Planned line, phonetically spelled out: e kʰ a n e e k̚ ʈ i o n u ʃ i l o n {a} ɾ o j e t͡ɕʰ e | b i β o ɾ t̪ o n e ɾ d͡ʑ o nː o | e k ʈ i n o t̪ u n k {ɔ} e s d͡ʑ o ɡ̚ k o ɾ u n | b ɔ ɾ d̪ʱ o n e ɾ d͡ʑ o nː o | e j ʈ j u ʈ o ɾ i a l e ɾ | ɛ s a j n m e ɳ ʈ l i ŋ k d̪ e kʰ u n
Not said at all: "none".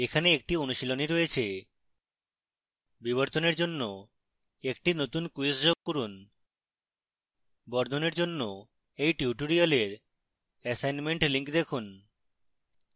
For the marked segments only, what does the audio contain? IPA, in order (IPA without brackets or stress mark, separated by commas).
i, u